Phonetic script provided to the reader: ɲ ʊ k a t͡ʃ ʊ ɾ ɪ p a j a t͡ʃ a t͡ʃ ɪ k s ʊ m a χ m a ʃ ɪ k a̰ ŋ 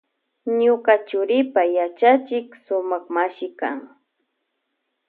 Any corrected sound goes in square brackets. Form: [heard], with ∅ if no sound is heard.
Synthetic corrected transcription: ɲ ʊ k a t͡ʃ ʊ ɾ ɪ p a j a t͡ʃ a t͡ʃ ɪ k s ʊ m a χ m a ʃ ɪ k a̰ ŋ

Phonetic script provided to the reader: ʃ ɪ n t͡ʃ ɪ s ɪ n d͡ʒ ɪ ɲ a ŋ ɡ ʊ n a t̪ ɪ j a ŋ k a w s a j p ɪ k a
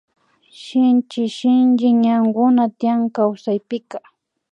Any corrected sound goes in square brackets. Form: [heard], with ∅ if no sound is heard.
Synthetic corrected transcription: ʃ ɪ n t͡ʃ ɪ [ʃ] ɪ n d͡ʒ ɪ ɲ a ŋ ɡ ʊ n a t̪ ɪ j a ŋ k a w s a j p ɪ k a

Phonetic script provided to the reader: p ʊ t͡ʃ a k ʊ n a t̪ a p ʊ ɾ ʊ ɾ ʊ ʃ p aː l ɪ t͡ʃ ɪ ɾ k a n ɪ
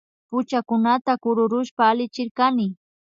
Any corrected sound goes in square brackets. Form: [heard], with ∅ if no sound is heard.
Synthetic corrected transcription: p ʊ t͡ʃ a k ʊ n a t̪ a [k] ʊ ɾ ʊ ɾ ʊ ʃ p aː l ɪ t͡ʃ ɪ ɾ k a n ɪ

